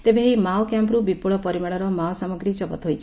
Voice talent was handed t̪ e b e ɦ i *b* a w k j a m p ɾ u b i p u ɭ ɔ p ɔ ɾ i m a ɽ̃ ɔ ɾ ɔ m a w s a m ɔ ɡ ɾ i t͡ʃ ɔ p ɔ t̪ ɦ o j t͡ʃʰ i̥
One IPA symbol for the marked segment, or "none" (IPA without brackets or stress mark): m